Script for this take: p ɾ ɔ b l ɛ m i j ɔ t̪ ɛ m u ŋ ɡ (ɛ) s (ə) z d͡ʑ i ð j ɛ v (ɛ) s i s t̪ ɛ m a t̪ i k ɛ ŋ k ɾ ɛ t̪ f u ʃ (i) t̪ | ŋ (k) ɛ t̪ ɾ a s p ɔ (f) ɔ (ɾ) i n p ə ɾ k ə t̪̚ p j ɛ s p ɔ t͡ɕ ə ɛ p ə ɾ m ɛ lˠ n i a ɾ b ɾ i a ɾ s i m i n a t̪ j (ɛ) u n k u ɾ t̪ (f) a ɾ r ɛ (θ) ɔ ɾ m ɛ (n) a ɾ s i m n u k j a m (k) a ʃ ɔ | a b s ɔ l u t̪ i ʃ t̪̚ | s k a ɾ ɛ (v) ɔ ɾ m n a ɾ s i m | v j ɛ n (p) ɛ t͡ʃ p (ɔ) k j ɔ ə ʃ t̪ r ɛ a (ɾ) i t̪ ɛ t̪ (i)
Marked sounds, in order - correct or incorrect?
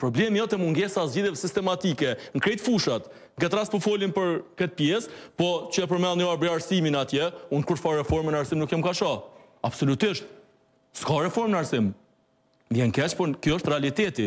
correct, incorrect: a, correct, incorrect: a, incorrect: ɡ, correct, incorrect: l, correct, correct, incorrect: f, correct, correct, incorrect: f, incorrect: k, correct, incorrect: l, correct

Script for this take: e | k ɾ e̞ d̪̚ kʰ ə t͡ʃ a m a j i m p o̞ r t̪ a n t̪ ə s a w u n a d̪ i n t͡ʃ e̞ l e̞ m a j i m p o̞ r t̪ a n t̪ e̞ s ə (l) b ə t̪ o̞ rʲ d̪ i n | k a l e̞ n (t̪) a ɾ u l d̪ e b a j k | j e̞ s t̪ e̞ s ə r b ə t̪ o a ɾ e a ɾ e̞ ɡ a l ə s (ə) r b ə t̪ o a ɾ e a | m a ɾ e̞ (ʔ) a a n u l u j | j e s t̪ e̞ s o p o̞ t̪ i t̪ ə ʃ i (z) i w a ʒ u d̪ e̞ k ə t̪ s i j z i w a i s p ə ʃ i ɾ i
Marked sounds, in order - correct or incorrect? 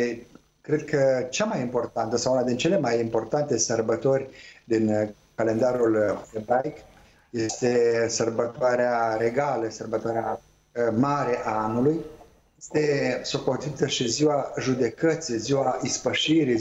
incorrect: r, incorrect: d̪, correct, correct, correct

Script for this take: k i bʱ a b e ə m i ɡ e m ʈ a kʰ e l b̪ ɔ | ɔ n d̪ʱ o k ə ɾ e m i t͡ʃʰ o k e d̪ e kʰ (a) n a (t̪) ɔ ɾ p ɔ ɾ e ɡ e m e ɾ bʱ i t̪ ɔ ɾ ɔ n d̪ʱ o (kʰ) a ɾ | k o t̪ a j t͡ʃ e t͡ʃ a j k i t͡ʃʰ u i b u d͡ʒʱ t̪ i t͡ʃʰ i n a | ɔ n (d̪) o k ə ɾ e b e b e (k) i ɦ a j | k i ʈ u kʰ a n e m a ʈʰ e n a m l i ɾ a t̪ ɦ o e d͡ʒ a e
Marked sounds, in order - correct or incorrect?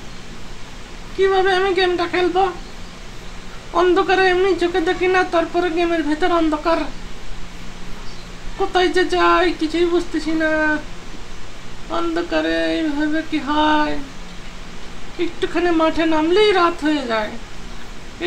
incorrect: i, correct, incorrect: k, correct, correct

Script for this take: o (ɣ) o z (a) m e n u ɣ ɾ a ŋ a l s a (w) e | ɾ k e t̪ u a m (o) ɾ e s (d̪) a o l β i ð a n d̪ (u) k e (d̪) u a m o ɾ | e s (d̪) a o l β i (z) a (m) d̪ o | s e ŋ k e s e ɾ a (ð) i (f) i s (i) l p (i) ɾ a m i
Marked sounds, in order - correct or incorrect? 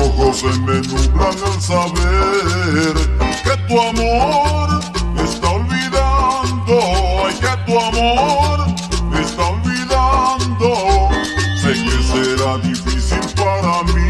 correct, incorrect: e, incorrect: β, correct, incorrect: t̪, incorrect: o, incorrect: t̪, incorrect: t̪, incorrect: ð, incorrect: n, correct, correct, correct, incorrect: a

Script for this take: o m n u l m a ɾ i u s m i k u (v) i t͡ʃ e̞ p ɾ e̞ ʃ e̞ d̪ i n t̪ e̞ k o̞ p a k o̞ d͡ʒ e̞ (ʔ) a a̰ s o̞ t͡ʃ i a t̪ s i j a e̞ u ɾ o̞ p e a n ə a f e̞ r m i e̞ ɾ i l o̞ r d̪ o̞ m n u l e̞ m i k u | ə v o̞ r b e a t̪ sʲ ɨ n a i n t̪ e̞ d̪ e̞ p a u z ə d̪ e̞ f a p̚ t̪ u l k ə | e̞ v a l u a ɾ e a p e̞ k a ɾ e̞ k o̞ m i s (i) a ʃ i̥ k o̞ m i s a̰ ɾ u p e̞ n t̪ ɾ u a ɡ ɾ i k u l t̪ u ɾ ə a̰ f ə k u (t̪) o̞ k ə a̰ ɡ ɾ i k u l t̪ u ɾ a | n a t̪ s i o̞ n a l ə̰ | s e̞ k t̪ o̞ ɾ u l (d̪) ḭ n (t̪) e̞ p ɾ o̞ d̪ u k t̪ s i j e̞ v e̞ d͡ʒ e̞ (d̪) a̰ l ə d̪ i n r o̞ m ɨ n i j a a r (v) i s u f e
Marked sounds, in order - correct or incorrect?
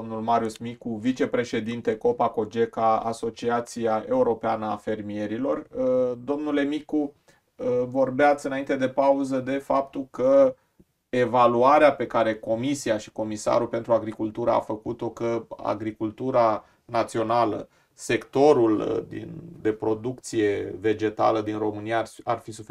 correct, incorrect: k, correct, correct, correct, incorrect: d̪, incorrect: t̪, incorrect: f

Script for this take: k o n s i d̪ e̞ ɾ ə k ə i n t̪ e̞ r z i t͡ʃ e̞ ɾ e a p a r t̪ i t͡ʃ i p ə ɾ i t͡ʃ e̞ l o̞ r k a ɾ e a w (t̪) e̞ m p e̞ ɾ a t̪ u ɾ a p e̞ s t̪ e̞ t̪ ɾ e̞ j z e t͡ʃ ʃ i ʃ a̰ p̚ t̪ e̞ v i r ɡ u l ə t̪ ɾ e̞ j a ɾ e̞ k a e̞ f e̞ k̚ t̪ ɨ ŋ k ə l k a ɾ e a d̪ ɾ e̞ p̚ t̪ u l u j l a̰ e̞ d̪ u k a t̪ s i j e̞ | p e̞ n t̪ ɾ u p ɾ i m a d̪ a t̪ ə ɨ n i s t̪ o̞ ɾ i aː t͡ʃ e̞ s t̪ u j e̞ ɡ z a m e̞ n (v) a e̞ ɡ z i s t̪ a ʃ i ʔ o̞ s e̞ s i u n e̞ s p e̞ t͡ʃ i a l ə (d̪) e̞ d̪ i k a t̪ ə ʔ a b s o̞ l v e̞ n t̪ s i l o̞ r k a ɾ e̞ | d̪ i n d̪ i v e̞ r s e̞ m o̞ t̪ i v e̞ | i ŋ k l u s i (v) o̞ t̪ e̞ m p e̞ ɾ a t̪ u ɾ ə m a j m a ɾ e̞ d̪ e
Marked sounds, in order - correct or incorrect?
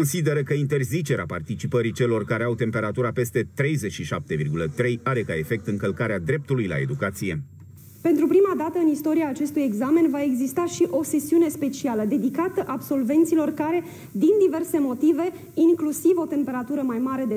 correct, correct, correct, correct

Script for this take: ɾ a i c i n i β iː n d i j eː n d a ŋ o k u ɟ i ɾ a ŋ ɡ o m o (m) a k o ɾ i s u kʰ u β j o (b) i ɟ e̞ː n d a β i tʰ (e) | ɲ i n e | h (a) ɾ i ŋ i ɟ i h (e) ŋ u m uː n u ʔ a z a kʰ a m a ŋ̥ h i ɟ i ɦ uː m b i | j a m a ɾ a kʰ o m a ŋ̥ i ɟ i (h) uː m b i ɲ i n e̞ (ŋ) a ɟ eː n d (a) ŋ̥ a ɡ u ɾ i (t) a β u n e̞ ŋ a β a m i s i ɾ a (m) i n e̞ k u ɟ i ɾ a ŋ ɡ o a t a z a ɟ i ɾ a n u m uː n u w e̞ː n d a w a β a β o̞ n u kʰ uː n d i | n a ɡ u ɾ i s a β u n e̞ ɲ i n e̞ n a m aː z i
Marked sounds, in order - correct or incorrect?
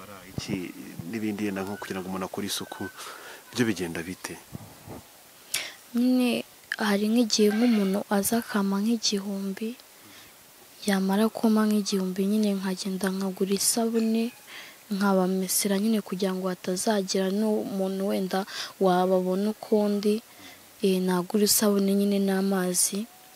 incorrect: n, incorrect: β, correct, correct, correct, correct, correct, correct, incorrect: s, incorrect: ɲ

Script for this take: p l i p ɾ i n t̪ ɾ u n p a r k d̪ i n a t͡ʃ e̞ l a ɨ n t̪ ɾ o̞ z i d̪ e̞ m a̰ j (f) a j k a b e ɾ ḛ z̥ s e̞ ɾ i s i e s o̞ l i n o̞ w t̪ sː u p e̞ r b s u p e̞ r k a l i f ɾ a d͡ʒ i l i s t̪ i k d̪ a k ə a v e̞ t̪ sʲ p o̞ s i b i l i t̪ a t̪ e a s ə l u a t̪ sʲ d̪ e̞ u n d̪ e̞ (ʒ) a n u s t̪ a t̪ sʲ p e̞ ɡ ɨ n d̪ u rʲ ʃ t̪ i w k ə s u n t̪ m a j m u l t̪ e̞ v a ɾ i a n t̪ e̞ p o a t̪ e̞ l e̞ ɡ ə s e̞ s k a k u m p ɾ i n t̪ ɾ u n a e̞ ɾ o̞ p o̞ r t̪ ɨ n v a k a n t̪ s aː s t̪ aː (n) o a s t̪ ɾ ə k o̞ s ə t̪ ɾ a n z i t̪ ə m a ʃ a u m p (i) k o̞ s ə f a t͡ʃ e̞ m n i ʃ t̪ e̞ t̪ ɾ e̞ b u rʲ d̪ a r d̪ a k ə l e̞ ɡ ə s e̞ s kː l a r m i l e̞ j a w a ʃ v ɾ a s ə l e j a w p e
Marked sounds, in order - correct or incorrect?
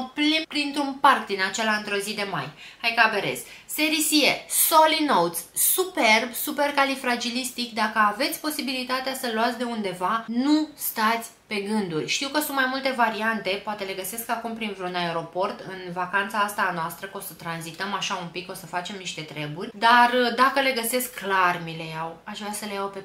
incorrect: h, incorrect: v, correct, correct

